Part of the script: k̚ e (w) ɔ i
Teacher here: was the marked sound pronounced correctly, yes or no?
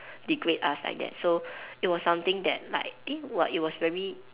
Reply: yes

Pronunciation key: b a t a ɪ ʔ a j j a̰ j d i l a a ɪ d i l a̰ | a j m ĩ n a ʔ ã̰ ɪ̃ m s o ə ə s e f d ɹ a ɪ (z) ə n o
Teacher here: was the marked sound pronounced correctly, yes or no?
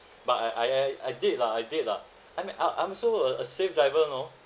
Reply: no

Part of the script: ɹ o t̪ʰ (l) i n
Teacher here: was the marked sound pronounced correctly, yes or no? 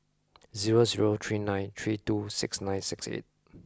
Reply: no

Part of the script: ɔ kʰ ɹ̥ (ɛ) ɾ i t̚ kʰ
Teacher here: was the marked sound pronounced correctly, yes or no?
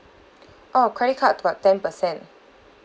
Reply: yes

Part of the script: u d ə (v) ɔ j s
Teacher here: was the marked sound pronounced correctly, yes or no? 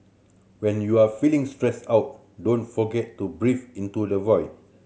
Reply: yes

